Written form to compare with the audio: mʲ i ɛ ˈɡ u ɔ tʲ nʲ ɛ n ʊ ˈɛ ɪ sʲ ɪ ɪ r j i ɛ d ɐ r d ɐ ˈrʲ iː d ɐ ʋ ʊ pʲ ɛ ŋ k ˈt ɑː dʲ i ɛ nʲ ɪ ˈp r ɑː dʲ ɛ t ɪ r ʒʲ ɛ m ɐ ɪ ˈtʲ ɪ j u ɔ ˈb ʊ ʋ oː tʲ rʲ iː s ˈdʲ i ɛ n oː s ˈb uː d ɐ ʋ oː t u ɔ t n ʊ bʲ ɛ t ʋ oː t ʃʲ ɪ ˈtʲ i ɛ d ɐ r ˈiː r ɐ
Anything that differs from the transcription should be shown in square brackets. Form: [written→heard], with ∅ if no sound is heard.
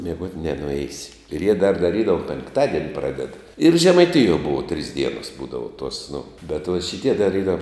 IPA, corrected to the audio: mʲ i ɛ ˈɡ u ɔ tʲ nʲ ɛ n ʊ ˈɛ ɪ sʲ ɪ ɪ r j i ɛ d ɐ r d ɐ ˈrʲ iː d ɐ ʋ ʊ pʲ ɛ ŋ k ˈt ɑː dʲ i ɛ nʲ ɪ ˈp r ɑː dʲ ɛ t ɪ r ʒʲ ɛ m ɐ ɪ ˈtʲ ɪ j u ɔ ˈb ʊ ʋ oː tʲ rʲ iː s ˈdʲ i ɛ n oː s ˈb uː d ɐ ʋ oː t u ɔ [t→s] n ʊ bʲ ɛ t ʋ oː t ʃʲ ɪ ˈtʲ i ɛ d ɐ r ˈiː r ɐ

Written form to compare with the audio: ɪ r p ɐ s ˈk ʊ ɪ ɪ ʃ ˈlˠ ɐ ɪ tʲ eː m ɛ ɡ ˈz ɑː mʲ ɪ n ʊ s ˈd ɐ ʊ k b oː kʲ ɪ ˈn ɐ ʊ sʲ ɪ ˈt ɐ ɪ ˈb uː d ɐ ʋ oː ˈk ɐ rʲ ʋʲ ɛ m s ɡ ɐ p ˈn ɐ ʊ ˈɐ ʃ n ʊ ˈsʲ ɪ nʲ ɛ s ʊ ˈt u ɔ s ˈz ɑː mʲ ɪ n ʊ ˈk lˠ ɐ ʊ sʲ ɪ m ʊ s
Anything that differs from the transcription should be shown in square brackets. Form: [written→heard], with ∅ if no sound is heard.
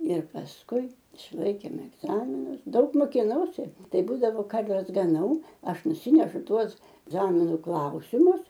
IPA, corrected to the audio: ɪ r p ɐ s ˈk ʊ ɪ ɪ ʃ ˈlˠ ɐ ɪ [tʲ→kʲ] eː m ɛ ɡ ˈz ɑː mʲ ɪ n ʊ s ˈd ɐ ʊ k [b→m] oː kʲ ɪ ˈn ɐ ʊ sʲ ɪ ˈt ɐ ɪ ˈb uː d ɐ ʋ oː ˈk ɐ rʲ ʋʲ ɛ [m→∅] s ɡ ɐ [p→∅] ˈn ɐ ʊ ˈɐ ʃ n ʊ ˈsʲ ɪ nʲ ɛ [s→ʃ] ʊ ˈt u ɔ s ˈz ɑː mʲ ɪ n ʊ ˈk lˠ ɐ ʊ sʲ ɪ m ʊ s

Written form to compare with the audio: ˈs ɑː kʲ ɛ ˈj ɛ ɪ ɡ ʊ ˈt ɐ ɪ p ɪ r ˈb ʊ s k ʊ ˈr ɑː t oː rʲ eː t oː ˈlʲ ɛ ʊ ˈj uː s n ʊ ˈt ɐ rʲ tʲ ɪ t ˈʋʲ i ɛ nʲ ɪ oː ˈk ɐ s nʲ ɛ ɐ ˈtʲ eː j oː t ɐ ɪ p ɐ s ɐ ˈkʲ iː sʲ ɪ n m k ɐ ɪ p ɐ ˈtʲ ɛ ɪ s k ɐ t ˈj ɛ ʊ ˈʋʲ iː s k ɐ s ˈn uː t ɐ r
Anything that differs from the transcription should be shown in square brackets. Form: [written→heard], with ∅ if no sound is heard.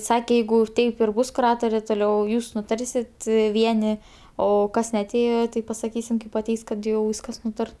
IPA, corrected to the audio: ˈs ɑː kʲ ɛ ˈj ɛ ɪ ɡ ʊ ˈt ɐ ɪ p ɪ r ˈb ʊ s k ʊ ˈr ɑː t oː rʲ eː t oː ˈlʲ ɛ ʊ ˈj uː s n ʊ ˈt ɐ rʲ [tʲ→sʲ] ɪ t ˈʋʲ i ɛ nʲ ɪ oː ˈk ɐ s nʲ ɛ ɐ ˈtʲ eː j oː t ɐ ɪ p ɐ s ɐ ˈkʲ iː sʲ ɪ [n→∅] m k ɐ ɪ p ɐ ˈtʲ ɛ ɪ s k ɐ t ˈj ɛ ʊ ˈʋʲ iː s k ɐ s ˈn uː t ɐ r

